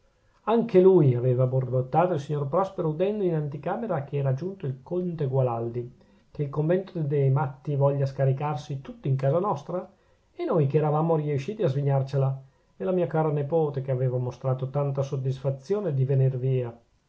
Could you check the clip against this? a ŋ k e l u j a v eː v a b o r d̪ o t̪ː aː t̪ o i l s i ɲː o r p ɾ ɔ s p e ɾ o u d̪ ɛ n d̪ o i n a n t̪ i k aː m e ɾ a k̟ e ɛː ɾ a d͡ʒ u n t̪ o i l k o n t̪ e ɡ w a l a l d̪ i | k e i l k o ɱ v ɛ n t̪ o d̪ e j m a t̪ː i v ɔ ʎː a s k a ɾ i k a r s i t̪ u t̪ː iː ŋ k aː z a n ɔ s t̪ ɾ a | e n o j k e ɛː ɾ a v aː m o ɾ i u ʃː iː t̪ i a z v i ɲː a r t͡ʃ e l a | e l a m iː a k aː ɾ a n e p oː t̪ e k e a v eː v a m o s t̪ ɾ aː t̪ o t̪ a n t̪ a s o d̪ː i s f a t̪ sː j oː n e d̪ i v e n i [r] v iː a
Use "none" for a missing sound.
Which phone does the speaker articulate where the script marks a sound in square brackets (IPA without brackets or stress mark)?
r